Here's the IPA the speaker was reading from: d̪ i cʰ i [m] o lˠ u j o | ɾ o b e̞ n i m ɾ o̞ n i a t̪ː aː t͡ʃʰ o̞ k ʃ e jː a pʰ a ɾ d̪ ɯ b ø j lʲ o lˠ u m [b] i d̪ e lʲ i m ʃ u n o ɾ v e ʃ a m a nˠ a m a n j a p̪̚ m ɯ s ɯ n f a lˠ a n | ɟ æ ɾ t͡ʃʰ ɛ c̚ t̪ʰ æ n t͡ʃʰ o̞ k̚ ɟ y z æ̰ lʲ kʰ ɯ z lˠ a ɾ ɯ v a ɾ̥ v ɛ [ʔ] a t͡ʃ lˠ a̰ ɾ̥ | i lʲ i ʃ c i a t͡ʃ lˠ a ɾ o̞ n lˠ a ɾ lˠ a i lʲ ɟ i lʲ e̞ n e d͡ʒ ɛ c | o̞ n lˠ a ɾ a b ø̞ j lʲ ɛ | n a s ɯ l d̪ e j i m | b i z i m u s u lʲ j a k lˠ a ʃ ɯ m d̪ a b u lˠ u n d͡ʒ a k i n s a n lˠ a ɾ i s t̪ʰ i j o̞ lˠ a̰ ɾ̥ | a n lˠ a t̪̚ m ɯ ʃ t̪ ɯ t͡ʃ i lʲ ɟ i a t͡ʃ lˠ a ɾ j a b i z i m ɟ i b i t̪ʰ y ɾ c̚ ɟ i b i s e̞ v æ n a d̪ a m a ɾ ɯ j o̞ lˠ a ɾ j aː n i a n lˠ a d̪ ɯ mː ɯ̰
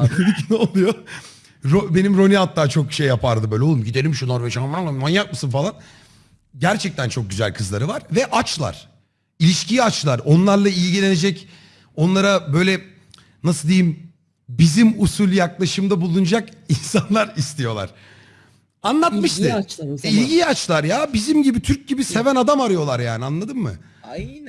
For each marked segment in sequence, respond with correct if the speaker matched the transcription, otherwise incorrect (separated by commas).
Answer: incorrect, incorrect, correct